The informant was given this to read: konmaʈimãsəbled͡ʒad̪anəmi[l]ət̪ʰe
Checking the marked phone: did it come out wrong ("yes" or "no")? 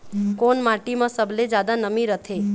yes